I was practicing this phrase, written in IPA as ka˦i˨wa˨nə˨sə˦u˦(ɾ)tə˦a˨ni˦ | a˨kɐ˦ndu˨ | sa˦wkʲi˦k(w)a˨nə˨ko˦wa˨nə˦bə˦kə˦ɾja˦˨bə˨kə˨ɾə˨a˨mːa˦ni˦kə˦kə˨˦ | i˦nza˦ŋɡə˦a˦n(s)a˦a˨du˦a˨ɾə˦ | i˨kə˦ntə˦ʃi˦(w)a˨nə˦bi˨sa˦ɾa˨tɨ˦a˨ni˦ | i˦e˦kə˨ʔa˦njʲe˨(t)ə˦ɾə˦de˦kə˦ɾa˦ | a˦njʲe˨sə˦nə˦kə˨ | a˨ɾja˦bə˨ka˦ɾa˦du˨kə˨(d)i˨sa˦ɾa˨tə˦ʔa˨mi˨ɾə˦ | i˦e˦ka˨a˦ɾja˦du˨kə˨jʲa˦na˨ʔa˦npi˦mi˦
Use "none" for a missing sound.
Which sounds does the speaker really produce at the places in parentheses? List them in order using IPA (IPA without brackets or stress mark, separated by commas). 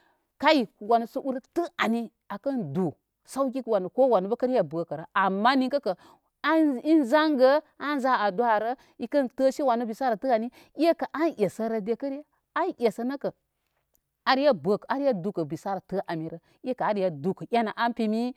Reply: ɾ, w, z, w, s, b